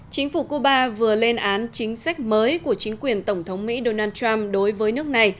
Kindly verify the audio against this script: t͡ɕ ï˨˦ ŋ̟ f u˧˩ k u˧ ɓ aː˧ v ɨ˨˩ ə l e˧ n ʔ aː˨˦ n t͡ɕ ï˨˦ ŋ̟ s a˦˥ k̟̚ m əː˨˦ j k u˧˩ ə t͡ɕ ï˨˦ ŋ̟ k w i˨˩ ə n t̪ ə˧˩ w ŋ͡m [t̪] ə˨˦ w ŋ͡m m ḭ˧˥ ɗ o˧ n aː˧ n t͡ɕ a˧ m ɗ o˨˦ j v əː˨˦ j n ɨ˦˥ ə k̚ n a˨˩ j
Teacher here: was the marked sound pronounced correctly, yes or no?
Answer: no